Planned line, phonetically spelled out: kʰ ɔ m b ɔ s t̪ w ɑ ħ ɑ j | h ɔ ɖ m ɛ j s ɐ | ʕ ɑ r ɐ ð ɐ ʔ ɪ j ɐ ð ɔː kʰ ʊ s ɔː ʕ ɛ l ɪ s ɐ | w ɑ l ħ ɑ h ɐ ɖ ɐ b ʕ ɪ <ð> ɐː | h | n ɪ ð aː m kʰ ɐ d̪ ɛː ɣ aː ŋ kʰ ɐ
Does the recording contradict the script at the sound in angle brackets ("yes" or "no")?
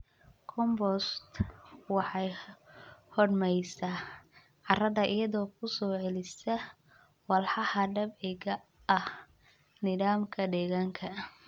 yes